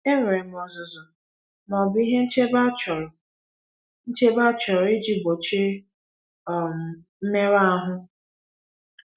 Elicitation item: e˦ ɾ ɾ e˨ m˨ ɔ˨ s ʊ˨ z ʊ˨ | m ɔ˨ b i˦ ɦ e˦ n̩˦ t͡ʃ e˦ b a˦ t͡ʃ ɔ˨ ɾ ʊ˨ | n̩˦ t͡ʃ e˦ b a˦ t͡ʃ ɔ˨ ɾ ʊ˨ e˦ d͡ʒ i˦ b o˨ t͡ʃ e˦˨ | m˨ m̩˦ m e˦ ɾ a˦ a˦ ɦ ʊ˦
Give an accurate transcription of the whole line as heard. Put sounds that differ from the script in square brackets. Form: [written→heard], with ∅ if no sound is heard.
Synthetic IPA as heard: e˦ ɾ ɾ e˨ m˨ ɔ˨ [s→z] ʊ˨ z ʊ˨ | m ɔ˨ b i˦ ɦ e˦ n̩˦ t͡ʃ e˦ b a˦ t͡ʃ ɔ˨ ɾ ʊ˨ | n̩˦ t͡ʃ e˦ b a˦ t͡ʃ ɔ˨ ɾ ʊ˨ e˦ d͡ʒ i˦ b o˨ t͡ʃ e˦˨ | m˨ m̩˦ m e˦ ɾ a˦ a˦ ɦ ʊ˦